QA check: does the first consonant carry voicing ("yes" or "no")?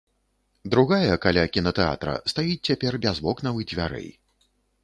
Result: yes